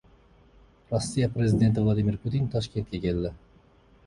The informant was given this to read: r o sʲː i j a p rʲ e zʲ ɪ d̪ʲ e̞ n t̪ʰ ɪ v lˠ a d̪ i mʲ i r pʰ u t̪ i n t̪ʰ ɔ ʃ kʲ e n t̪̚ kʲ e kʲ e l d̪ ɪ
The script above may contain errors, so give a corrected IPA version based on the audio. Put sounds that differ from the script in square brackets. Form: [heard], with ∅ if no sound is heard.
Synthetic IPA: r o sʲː i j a p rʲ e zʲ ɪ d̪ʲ e̞ n [t̪] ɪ v lˠ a d̪ i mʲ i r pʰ u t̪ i n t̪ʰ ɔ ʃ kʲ e n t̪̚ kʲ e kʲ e l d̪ ɪ